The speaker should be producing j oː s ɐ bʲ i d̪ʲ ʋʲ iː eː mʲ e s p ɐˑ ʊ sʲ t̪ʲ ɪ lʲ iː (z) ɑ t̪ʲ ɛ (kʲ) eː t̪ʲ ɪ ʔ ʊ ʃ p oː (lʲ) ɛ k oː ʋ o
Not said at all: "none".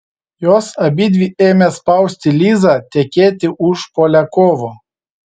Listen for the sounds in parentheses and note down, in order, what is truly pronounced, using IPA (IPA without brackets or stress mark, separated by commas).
z, kʲ, lʲ